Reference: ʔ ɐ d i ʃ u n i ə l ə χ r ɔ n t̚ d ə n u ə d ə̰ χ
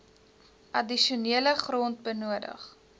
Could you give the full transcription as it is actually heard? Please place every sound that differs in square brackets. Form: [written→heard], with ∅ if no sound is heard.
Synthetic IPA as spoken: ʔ ɐ d i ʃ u n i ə l ə χ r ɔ n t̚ [d→b] ə n u ə d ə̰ χ